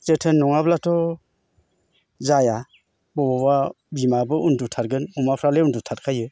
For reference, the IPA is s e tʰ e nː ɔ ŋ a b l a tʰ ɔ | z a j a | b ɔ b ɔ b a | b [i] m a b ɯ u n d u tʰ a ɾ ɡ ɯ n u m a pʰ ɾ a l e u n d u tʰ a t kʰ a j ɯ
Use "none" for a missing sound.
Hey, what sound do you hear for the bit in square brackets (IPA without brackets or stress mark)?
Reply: i